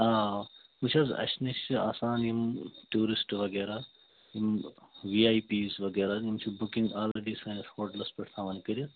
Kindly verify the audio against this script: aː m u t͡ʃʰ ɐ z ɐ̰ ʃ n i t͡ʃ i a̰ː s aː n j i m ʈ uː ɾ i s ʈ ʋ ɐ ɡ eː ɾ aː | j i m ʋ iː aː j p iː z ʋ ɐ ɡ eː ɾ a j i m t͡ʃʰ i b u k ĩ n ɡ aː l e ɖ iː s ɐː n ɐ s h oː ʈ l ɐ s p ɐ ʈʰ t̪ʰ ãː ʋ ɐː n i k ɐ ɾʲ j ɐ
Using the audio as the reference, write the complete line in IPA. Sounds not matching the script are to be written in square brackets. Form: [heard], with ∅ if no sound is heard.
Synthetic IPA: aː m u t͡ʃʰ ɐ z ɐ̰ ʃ n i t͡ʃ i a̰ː s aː n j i m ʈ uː ɾ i s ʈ ʋ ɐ ɡ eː ɾ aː | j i m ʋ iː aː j p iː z ʋ ɐ ɡ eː ɾ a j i m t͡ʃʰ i b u k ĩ [ŋ] ɡ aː l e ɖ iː s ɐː n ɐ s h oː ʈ l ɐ s p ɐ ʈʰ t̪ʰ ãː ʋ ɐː n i k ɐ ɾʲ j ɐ